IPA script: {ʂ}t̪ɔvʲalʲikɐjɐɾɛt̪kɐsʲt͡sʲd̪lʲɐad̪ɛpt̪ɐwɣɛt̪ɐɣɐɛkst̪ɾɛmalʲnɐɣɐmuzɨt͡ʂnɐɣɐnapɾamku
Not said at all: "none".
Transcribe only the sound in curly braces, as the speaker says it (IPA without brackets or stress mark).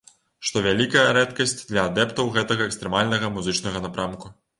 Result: ʂ